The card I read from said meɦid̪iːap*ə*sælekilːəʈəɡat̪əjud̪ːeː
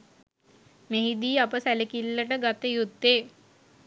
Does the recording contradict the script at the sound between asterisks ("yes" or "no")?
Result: no